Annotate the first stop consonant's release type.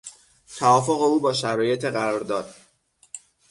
aspirated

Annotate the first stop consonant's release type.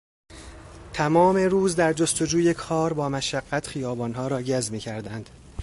aspirated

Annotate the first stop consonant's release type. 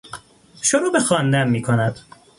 plain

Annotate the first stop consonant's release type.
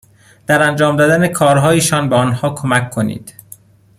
plain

